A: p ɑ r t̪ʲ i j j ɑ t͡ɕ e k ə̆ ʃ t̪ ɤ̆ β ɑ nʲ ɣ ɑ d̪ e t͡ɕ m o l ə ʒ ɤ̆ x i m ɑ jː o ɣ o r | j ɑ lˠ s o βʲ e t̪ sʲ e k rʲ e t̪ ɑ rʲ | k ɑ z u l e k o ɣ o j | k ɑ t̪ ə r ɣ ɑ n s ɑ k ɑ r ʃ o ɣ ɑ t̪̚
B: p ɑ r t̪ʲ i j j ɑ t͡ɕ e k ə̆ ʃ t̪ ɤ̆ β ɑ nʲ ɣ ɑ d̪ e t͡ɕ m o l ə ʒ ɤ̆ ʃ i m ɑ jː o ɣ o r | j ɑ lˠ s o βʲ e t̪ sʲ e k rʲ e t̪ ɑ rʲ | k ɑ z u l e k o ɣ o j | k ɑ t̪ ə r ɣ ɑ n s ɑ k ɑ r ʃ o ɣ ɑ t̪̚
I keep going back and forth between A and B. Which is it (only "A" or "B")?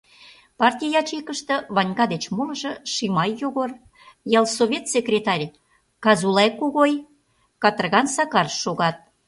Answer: B